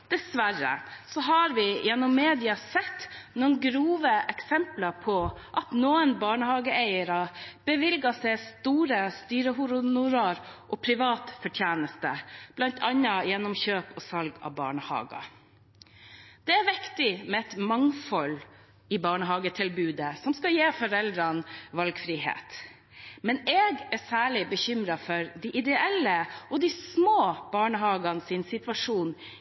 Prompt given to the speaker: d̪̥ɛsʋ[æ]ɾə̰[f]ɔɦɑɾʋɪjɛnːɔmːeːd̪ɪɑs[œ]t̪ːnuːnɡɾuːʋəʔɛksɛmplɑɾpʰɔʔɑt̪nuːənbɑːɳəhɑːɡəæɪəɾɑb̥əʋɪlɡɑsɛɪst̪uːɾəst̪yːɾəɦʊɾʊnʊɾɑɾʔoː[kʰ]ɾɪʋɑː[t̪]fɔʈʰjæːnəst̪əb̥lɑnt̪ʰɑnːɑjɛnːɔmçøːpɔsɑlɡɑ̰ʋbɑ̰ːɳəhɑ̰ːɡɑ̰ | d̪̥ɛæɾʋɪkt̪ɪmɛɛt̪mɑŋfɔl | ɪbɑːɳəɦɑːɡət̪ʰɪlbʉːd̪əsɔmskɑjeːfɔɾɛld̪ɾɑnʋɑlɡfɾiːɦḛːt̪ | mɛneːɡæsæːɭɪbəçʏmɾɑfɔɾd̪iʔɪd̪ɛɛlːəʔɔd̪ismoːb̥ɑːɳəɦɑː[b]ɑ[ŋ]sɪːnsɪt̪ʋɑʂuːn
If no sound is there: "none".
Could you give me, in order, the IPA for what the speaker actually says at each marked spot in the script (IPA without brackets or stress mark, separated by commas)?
æ, s, ɛ, pʰ, t̪, ɡ, n